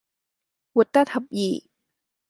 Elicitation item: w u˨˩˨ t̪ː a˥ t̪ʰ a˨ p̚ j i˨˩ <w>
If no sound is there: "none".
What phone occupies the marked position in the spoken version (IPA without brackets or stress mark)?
none